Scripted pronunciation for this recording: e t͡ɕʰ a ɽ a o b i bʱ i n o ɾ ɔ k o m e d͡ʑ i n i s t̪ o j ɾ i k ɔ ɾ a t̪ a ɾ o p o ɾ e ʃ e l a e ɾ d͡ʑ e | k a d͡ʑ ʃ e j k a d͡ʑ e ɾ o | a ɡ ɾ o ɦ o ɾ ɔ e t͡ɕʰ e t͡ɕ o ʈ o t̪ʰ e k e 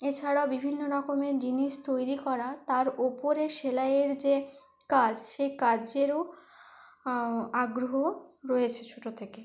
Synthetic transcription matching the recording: e t͡ɕʰ a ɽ a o b i bʱ i nː o ɾ ɔ k o m e d͡ʑ i n i ʃ t̪ o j ɾ i k ɔ ɾ a t̪ a ɾ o p o ɾ e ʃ e l a e ɾ d͡ʑ e | k a d͡ʑ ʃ e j k a d͡ʑ e ɾ o | a ɡ ɾ o ɦ o ɾ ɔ e t͡ɕʰ e t͡ɕʰ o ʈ o t̪ʰ e k e